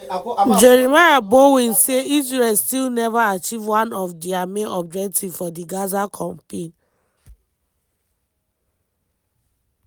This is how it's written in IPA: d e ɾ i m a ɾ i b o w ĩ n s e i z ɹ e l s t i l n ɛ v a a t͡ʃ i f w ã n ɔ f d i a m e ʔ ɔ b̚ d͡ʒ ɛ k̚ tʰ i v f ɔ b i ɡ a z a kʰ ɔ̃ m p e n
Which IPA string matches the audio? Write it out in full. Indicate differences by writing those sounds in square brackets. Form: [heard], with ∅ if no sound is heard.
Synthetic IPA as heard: [d͡ʒ] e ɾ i m a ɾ [a] b o w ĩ n s e i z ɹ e l s t i l n ɛ v a a t͡ʃ i [v] w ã n ɔ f d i a m e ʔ ɔ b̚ d͡ʒ ɛ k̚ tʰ i v f ɔ [d] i ɡ a z a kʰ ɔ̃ m p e n